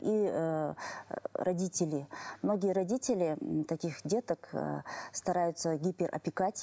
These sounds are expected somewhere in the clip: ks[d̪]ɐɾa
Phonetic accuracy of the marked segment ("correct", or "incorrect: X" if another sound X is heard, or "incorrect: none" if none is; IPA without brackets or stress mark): incorrect: t̪